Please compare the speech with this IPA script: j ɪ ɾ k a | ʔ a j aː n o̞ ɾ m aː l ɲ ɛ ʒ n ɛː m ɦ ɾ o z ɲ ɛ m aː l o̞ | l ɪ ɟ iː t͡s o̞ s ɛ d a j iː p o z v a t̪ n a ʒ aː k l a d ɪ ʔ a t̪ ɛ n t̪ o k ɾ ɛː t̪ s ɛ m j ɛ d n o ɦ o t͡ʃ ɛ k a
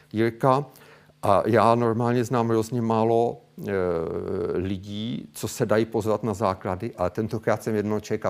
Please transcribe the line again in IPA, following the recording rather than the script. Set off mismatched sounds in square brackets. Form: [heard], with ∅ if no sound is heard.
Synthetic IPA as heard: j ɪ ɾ k a | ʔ a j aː n o̞ ɾ m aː l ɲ ɛ [z] n [aː] m ɦ ɾ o z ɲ ɛ m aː l o̞ | l ɪ ɟ iː t͡s o̞ s ɛ d a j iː p o z v a t̪ n a [z] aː k l a d ɪ ʔ a t̪ ɛ n t̪ o k ɾ [aː] t̪ s ɛ m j ɛ d n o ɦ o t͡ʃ ɛ k a